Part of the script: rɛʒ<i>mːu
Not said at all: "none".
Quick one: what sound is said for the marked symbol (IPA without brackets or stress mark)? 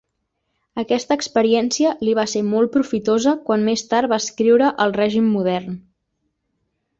i